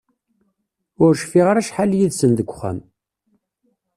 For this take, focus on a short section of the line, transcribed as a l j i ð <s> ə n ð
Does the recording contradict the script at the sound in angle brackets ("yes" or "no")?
no